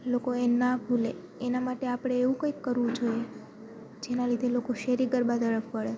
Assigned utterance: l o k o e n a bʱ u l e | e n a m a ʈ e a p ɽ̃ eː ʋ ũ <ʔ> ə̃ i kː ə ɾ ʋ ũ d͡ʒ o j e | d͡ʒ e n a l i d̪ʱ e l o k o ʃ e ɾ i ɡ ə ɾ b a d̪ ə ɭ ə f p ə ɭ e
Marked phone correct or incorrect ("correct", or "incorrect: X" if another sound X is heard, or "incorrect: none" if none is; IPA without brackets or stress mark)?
incorrect: k